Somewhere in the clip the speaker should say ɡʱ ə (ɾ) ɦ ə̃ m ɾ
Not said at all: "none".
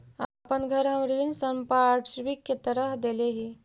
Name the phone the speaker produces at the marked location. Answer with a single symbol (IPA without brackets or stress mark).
ɾ